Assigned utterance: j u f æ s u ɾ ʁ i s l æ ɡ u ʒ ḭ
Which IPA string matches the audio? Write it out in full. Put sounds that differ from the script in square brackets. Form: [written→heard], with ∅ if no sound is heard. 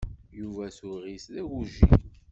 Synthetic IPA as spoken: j u [f→v] æ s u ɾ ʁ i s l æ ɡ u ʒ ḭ